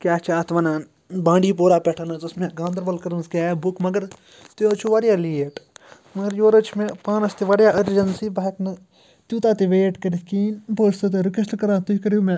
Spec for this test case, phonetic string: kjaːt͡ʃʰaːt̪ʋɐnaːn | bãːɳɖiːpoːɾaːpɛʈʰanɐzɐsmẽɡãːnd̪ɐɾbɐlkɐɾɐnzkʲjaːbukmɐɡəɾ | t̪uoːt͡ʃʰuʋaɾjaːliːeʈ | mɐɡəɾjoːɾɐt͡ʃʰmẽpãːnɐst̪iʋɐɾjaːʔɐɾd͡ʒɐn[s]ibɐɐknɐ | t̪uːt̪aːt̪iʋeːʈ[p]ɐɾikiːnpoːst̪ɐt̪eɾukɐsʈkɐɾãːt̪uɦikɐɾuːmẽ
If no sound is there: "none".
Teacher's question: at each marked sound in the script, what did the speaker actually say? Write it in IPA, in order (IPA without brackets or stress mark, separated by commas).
s, k